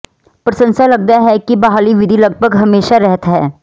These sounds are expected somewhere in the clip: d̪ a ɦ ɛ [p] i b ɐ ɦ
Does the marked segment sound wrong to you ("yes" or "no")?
yes